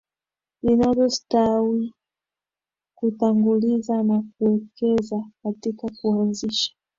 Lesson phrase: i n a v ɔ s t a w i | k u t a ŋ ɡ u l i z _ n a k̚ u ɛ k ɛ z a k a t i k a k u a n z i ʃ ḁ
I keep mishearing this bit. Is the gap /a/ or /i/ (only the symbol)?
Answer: a